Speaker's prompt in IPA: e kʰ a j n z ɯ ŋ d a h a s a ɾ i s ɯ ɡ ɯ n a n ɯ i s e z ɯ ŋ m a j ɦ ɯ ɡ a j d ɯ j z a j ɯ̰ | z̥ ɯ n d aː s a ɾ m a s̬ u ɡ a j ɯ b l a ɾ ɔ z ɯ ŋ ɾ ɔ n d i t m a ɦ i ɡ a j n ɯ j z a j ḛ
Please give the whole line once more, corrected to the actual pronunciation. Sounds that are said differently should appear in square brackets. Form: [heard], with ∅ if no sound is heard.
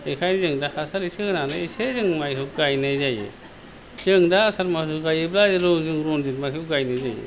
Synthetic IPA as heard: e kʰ a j n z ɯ ŋ d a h a s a ɾ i s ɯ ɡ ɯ n a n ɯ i s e z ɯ ŋ m a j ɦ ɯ ɡ a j [n] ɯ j z a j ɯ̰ | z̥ ɯ [ŋ] d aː s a ɾ m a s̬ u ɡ a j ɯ b l a ɾ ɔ z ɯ ŋ ɾ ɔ n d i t m a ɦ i ɡ a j n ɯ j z a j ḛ